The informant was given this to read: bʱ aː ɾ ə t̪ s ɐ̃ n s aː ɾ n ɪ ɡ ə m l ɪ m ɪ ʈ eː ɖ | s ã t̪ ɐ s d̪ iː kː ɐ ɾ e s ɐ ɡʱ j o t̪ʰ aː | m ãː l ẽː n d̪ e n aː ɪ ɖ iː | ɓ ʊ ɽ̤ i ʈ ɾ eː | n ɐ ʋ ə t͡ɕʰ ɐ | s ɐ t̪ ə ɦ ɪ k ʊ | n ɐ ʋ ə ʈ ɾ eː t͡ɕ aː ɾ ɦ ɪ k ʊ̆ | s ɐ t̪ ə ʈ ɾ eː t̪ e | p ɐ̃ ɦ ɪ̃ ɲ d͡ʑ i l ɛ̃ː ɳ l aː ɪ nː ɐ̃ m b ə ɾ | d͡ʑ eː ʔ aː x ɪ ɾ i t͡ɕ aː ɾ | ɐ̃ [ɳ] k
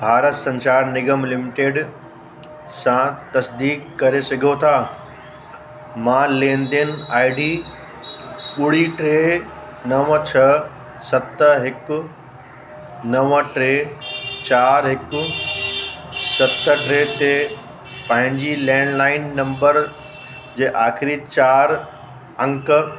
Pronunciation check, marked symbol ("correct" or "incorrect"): incorrect